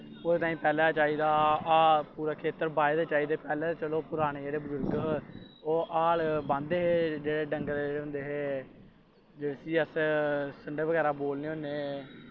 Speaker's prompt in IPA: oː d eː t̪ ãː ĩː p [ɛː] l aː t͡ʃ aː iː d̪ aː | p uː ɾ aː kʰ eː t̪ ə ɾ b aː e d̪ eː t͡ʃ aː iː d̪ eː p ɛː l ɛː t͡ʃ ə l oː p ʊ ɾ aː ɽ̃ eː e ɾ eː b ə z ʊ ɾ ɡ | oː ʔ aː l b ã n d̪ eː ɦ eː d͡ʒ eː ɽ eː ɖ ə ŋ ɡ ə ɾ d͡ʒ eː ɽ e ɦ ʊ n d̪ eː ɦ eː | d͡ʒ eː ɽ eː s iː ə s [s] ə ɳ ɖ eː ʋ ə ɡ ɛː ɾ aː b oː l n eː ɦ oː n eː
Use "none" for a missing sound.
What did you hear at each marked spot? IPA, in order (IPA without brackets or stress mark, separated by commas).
ɛː, s